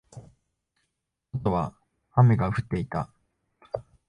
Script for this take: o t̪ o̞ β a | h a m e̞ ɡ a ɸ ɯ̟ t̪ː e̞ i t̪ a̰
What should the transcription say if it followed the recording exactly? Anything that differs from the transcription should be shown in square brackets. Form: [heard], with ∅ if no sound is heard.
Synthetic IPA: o t̪ o̞ β a | h a m e̞ ɡ a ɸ ɯ̟ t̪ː e̞ i t̪ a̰